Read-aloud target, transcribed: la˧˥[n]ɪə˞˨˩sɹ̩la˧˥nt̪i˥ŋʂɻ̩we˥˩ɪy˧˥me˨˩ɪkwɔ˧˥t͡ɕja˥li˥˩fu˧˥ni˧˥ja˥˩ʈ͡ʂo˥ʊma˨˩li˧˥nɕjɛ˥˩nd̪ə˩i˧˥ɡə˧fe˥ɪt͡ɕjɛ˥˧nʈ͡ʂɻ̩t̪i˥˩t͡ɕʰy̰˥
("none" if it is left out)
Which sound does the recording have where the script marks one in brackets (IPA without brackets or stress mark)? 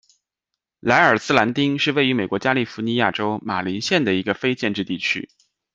none